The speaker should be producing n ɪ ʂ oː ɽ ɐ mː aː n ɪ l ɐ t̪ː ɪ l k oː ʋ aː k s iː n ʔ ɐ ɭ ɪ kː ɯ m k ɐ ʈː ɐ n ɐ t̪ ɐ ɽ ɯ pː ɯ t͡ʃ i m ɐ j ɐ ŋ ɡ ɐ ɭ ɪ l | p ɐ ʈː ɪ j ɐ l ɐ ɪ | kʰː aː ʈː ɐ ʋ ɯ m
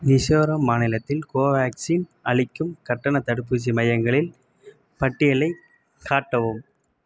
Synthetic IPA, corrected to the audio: n ɪ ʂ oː ɾ ɐ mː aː n ɪ l ɐ t̪ː ɪ l k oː ʋ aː k s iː n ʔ ɐ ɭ ɪ kː ɯ m k ɐ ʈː ɐ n ɐ t̪ ɐ ɽ ɯ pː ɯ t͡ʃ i m ɐ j ɐ ŋ ɡ ɐ ɭ ɪ l | p ɐ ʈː ɪ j ɐ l ɐ ɪ | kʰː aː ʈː ɐ ʋ ɯ m